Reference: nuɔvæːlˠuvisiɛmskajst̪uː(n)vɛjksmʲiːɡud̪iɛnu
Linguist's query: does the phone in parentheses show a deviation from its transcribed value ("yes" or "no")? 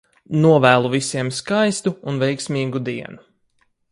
no